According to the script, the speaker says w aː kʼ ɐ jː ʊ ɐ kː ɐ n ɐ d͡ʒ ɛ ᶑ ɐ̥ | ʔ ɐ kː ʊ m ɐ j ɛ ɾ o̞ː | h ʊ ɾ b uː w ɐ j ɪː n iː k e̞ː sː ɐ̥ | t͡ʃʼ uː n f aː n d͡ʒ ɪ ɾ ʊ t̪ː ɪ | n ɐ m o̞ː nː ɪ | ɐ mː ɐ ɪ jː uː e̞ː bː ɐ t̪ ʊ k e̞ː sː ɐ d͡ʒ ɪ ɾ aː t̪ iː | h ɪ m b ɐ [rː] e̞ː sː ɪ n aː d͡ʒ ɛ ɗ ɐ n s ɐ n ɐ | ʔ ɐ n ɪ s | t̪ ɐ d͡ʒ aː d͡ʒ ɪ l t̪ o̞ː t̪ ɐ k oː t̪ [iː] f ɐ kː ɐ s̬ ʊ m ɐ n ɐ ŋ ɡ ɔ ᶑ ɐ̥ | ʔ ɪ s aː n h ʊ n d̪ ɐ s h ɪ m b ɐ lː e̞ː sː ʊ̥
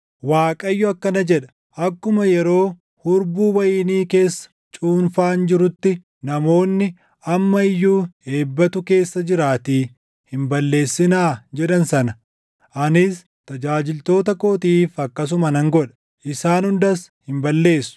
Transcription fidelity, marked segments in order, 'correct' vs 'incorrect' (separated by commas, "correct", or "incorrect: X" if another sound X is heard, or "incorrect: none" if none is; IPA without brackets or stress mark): incorrect: lː, correct